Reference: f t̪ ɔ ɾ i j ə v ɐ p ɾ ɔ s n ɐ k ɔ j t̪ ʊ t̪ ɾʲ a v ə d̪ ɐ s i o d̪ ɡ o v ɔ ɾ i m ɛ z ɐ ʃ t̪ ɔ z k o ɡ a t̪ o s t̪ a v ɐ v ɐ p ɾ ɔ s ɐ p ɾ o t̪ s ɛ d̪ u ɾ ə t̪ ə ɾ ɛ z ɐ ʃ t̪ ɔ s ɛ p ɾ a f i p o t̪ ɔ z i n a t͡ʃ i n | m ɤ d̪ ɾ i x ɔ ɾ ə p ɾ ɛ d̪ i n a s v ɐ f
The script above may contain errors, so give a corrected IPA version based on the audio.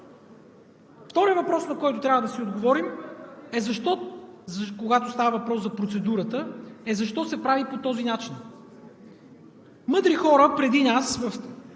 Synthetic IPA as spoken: f t̪ ɔ ɾ i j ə v ɐ p ɾ ɔ s n ɐ k ɔ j t̪ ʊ t̪ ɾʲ a v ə d̪ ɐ s i o d̪ ɡ o v ɔ ɾ i m ɛ z ɐ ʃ t̪ ɔ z k o ɡ a t̪ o s t̪ a v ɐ v ɐ p ɾ ɔ s ɐ p ɾ o t̪ s ɛ d̪ u ɾ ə t̪ ə ɛ z ɐ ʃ t̪ ɔ s ɛ p ɾ a v i p o t̪ ɔ z i n a t͡ʃ i n | m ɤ d̪ ɾ i x ɔ ɾ ə p ɾ ɛ d̪ i n a s v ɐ f